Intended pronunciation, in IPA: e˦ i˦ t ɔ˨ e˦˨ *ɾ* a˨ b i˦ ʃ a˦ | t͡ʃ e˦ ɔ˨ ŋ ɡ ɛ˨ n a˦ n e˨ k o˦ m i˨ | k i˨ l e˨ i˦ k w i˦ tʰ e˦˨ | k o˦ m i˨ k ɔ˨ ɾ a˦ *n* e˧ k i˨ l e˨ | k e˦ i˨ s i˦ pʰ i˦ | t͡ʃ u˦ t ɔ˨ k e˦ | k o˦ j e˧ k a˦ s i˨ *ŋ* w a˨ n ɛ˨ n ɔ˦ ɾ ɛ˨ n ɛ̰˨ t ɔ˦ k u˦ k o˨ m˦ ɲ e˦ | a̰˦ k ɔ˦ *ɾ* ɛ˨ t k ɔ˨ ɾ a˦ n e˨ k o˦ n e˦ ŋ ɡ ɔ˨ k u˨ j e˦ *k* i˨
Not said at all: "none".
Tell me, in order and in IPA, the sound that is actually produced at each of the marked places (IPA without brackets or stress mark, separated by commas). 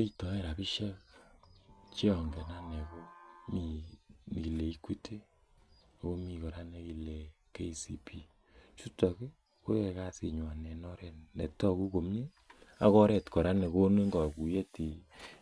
ɾ, n, ɲ, ɾ, t